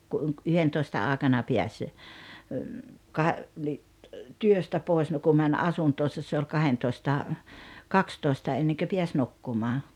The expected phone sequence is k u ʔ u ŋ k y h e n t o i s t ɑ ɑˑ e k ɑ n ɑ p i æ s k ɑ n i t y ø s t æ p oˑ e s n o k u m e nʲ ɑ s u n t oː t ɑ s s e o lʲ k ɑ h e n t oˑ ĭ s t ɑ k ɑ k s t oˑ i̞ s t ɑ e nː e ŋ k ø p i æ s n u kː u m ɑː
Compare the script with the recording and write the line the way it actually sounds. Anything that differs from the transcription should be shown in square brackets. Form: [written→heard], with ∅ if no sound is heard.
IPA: k u ʔ u ŋ k y h e n t o i s t ɑ ɑˑ e k ɑ n ɑ p i æ s k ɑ n i t y ø s t æ p oˑ e s n o k u m [e→æ] nʲ ɑ s u n t oː [t→s] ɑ s s e o lʲ k ɑ h e n t oˑ ĭ s t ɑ k ɑ k s t oˑ i̞ s t ɑ e nː e ŋ k ø p i æ s n u kː u m ɑː